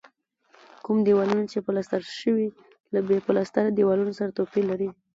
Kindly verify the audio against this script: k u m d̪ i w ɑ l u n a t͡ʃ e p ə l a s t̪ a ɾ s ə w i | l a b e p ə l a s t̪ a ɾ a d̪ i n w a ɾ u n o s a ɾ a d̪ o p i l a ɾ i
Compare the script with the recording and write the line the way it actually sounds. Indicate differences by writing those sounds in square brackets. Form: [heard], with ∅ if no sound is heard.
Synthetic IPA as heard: k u m d̪ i w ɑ l u n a t͡ʃ e p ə l a s t̪ a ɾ [ʃ] ə w i | l a b e p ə l a s t̪ a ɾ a d̪ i [∅] w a [l] u n o s a ɾ a [t̪] o p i l a ɾ i